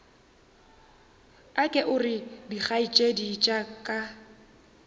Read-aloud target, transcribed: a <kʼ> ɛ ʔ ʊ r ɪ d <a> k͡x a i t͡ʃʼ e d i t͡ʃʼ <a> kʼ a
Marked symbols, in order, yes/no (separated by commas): yes, no, yes